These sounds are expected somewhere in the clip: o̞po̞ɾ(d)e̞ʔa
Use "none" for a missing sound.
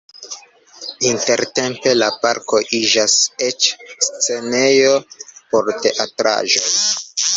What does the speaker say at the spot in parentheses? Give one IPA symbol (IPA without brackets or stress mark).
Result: t